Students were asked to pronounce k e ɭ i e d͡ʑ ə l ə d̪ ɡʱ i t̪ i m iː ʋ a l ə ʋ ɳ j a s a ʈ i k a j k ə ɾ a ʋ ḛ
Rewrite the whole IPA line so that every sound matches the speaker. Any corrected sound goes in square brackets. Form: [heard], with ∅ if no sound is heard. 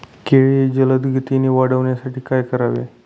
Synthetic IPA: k e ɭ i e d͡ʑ ə l ə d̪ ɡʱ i t̪ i [n] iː ʋ a [ɽ] ə ʋ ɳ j a s a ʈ [iː] k a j k ə ɾ a ʋ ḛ